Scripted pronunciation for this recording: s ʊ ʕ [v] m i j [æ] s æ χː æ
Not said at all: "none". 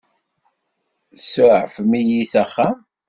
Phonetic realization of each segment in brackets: f, i

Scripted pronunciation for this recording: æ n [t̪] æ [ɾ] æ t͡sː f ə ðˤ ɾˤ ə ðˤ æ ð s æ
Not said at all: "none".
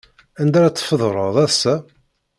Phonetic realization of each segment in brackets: d̪, ɾ

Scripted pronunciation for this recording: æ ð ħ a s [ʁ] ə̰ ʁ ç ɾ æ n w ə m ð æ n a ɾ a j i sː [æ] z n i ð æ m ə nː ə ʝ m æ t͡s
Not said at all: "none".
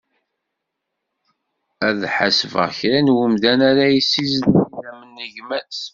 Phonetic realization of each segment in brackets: v, i

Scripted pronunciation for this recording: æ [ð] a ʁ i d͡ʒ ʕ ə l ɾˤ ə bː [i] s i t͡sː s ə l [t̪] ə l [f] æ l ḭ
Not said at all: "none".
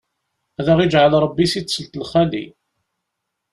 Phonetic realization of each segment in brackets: ð, i, t̪, χ

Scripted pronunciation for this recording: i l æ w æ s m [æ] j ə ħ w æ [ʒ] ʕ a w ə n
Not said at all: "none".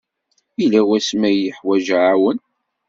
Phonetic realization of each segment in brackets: æ, ʒ

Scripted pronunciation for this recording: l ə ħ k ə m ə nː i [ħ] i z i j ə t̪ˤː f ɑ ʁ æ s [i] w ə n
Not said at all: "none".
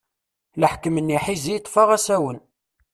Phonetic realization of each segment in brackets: ħ, æ

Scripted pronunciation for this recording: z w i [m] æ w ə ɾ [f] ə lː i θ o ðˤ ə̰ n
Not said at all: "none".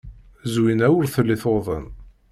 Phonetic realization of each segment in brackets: n, θ

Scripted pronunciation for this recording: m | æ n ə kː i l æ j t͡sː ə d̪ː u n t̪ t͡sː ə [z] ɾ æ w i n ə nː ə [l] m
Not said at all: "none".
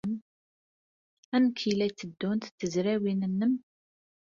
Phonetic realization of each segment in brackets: z, none

